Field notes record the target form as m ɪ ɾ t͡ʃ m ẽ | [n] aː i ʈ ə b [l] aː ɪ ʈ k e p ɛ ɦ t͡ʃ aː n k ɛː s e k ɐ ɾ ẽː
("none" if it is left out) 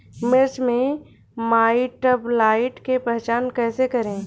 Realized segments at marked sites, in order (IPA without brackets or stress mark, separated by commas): m, l